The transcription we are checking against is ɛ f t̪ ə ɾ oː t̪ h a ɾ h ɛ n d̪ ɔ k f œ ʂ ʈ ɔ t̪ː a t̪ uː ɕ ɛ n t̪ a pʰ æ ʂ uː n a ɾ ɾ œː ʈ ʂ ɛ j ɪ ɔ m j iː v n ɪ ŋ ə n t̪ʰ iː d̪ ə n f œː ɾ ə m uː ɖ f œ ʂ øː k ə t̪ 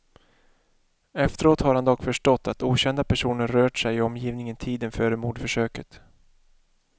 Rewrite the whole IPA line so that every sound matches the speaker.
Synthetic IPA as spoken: ɛ f t̪ ə ɾ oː t̪ h a ɾ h a n d̪ ɔ k f œ ʂ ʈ ɔ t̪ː a t̪ uː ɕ ɛ n d̪ a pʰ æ ʂ uː n ə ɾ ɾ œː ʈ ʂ ɛ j ɪ ɔ m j iː v n ɪ ŋ ə n t̪ʰ iː d̪ ə n f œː ɾ ə m uː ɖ f œ ʂ øː k ə t̪